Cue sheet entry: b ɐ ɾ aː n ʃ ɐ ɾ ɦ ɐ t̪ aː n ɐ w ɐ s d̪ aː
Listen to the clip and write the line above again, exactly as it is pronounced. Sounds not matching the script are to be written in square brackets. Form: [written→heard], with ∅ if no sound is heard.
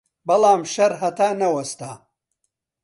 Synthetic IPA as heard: b ɐ [ɾ→l] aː [n→m] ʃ ɐ ɾ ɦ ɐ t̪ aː n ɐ w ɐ s [d̪→t̪] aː